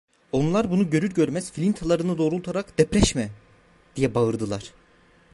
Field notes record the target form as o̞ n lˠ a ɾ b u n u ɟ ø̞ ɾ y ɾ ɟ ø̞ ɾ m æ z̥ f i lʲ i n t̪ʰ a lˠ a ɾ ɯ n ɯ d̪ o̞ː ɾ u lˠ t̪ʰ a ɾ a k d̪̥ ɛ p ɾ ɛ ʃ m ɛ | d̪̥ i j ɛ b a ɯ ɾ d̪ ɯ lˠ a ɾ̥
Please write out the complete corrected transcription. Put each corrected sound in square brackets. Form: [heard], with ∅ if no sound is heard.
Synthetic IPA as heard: o̞ n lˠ a ɾ b u n u ɟ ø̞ ɾ y ɾ ɟ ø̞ ɾ m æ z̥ f i lʲ i n t̪ʰ a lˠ a ɾ ɯ n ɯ d̪ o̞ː ɾ u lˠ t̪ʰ a ɾ a k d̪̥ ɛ p ɾ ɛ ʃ m ɛ | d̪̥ i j ɛ b a ɯ ɾ d̪ ɯ lˠ a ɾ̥